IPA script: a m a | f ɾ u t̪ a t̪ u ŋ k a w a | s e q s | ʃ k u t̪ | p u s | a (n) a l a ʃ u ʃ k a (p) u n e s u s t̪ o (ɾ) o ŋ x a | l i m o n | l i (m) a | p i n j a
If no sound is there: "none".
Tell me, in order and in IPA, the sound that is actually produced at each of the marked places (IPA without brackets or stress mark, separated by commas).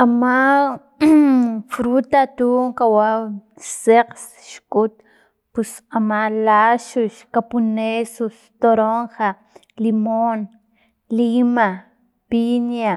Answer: m, p, ɾ, m